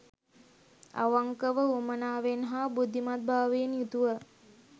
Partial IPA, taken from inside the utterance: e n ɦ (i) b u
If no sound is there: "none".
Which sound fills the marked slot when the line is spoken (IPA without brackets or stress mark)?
a